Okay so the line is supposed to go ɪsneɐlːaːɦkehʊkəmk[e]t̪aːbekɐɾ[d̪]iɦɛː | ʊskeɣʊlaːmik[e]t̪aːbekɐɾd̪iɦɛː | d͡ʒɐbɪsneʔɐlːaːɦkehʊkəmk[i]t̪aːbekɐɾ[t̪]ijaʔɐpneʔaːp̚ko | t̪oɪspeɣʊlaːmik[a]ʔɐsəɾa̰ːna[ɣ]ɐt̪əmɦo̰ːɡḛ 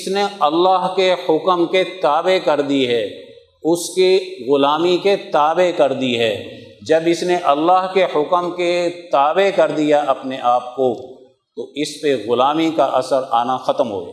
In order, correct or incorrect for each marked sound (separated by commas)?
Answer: correct, correct, correct, incorrect, incorrect, correct, incorrect